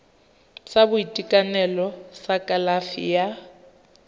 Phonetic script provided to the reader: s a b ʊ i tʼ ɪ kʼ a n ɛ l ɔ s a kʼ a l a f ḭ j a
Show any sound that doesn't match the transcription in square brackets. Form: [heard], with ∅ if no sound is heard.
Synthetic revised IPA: s a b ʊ i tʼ [i] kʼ a n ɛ l ɔ s a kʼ a l a f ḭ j a